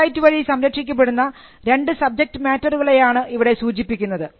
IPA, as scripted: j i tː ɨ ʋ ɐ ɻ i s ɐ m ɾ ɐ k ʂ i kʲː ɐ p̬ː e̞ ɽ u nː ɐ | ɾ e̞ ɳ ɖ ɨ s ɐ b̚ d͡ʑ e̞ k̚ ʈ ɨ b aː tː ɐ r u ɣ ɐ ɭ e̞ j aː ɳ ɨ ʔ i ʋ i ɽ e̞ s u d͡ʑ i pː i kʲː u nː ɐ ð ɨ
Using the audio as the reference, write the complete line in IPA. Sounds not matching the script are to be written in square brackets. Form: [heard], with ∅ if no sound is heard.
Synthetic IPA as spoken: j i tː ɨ ʋ ɐ ɻ i s ɐ m ɾ ɐ k ʂ i kʲː ɐ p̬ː e̞ ɽ u nː ɐ | ɾ e̞ ɳ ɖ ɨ s ɐ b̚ d͡ʑ e̞ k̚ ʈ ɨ [m] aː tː ɐ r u ɣ ɐ ɭ e̞ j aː ɳ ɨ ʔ i ʋ i ɽ e̞ s [uː] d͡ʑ i pː i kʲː u nː ɐ ð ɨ

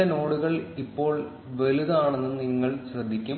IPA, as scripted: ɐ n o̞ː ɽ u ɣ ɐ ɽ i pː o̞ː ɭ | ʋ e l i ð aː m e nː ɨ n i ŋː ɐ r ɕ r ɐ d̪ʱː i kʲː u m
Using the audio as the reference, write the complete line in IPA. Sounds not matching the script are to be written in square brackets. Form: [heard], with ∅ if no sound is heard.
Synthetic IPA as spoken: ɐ n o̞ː ɽ u ɣ ɐ [ɭ] i pː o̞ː ɭ | ʋ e l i ð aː [ɳ] e nː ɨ n i ŋː ɐ [ɭ] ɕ r ɐ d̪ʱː i kʲː u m

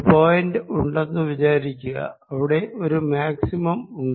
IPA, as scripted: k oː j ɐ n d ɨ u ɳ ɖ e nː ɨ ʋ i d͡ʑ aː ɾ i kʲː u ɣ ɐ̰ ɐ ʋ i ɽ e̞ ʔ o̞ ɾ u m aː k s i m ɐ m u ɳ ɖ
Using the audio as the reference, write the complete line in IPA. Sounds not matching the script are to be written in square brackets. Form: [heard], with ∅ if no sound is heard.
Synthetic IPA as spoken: [p] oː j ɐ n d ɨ u ɳ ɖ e nː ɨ ʋ i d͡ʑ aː ɾ i kʲː u ɣ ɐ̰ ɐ ʋ i ɽ e̞ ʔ o̞ ɾ u m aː k s i m ɐ m u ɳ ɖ

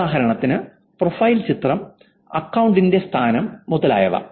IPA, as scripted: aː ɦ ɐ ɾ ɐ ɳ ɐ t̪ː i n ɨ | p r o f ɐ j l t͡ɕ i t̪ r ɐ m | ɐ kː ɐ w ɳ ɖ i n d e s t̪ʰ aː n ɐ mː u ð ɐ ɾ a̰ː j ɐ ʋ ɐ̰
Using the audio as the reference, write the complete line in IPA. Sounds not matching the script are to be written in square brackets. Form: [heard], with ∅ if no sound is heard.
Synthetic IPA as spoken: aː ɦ ɐ ɾ ɐ ɳ ɐ t̪ː i n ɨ | p r o f ɐ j l t͡ɕ i t̪ r ɐ m | ɐ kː ɐ w ɳ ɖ i n d e s t̪ʰ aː n ɐ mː u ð ɐ [l] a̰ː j ɐ ʋ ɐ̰

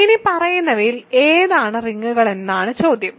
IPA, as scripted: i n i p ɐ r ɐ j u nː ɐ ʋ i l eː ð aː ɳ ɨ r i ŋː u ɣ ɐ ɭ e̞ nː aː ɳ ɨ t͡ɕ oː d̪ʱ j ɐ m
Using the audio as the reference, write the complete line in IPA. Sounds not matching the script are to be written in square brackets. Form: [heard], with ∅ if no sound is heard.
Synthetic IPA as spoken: i n i p ɐ r ɐ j u nː ɐ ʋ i l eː ð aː ɳ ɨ r i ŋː u ɣ ɐ ɭ e̞ nː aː ɳ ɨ t͡ɕ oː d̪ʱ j ɐ m

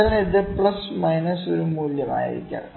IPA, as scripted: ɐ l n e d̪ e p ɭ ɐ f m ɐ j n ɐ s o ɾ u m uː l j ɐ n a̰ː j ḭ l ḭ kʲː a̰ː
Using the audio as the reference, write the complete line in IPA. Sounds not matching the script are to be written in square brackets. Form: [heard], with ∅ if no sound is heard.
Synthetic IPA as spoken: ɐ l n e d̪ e p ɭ ɐ [s] m ɐ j n ɐ s o ɾ u m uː l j ɐ [m] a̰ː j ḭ [ɾ] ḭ kʲː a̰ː

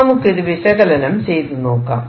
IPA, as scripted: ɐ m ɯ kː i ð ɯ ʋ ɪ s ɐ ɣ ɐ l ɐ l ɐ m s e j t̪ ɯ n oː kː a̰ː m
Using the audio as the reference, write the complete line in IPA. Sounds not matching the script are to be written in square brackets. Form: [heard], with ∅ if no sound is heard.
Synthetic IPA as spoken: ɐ m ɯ kː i ð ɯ ʋ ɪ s ɐ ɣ ɐ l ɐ l ɐ m s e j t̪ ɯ n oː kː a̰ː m

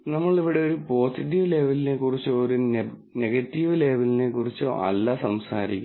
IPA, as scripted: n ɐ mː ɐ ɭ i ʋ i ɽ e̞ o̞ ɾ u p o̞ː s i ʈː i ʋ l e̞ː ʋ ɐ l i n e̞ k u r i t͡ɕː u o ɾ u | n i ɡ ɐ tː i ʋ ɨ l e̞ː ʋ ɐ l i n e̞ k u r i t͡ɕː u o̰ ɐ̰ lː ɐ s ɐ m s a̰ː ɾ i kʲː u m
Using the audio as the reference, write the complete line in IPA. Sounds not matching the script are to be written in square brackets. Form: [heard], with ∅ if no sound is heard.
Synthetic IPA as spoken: n ɐ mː ɐ ɭ i ʋ i ɽ e̞ o̞ ɾ u p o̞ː s i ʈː i ʋ l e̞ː ʋ ɐ l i n e̞ k u r i t͡ɕː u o ɾ u | n [e] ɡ ɐ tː i ʋ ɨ l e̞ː ʋ ɐ l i n e̞ k u r i t͡ɕː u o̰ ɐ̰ lː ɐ s ɐ m s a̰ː ɾ i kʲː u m

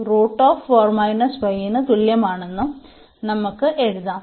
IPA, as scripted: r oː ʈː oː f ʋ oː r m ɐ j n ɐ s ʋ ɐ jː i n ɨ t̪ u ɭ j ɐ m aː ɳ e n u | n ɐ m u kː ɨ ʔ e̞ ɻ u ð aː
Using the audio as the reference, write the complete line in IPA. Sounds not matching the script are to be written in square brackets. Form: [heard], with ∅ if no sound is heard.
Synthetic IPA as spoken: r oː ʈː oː f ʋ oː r m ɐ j n ɐ s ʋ ɐ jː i n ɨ t̪ u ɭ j ɐ m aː ɳ e [nː] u | n ɐ m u kː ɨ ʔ e̞ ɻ u ð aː

